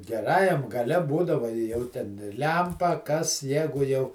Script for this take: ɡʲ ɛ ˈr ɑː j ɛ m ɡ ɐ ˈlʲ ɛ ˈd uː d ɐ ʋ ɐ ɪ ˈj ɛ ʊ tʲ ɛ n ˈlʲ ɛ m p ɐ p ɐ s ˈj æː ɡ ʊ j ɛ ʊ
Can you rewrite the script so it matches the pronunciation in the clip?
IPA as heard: ɡʲ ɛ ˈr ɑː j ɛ m ɡ ɐ ˈlʲ ɛ ˈb uː d ɐ ʋ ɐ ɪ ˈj ɛ ʊ tʲ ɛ n ˈlʲ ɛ m p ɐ k ɐ s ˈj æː ɡ ʊ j ɛ ʊ